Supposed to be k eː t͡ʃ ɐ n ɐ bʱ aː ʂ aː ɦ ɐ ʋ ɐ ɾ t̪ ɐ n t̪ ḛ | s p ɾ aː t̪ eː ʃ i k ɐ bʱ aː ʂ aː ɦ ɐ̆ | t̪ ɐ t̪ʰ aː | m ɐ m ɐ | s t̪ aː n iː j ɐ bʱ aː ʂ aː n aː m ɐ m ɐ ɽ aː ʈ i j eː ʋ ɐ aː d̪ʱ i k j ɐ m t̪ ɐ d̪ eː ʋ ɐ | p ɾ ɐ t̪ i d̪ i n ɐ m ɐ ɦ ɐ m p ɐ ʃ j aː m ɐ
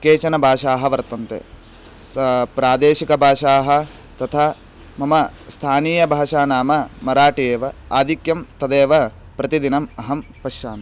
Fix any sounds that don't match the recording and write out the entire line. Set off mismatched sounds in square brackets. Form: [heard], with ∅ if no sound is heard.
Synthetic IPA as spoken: k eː t͡ʃ ɐ n ɐ bʱ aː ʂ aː ɦ ɐ ʋ ɐ ɾ t̪ ɐ n t̪ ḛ | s p ɾ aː [d̪] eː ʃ i k ɐ bʱ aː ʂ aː ɦ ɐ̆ | t̪ ɐ t̪ʰ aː | m ɐ m ɐ | s [t̪ʰ] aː n iː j ɐ bʱ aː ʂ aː n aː m ɐ m ɐ [ɾ] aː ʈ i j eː ʋ ɐ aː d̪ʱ i k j ɐ m t̪ ɐ d̪ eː ʋ ɐ | p ɾ ɐ t̪ i d̪ i n ɐ m ɐ ɦ ɐ m p ɐ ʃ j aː m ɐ